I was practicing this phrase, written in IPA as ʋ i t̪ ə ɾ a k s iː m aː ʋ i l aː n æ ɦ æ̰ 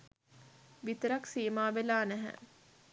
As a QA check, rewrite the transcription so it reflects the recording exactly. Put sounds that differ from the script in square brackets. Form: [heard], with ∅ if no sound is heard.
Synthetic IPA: ʋ i t̪ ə ɾ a k s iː m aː ʋ [e] l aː n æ ɦ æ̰